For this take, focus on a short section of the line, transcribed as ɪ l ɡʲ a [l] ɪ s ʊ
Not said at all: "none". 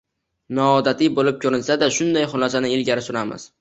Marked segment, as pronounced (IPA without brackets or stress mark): ɾ